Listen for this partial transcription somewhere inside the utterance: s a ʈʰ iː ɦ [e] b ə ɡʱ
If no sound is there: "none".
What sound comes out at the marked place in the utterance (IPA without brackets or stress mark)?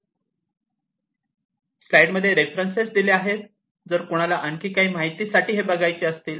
e